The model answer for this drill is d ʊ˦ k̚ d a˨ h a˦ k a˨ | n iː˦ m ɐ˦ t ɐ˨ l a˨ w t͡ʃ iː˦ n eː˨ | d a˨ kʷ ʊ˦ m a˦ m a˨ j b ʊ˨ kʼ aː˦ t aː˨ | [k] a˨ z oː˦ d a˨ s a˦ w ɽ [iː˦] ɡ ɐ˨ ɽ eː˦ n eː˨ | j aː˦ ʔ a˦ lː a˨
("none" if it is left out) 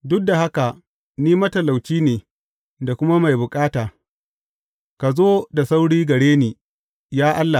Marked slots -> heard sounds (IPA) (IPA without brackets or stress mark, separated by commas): k, iː˦